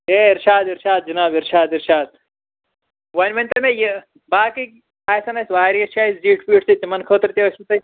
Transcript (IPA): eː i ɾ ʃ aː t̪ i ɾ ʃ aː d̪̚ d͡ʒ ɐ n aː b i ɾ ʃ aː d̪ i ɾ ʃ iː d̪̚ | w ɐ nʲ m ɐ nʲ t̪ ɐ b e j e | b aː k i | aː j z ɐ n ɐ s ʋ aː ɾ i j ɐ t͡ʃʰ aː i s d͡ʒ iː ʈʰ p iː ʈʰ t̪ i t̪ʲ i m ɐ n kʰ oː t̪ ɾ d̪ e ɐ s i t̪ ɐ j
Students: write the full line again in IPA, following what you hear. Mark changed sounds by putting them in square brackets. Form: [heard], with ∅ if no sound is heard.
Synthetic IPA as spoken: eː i ɾ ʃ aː [d̪] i ɾ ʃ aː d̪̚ d͡ʒ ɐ n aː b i ɾ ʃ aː d̪ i ɾ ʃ [aː] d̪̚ | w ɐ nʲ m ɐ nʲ t̪ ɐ [m] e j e | b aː k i | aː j [s] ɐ n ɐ s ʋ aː ɾ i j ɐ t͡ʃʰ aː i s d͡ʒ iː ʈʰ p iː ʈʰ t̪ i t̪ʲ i m ɐ n kʰ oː t̪ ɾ [t̪] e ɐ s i t̪ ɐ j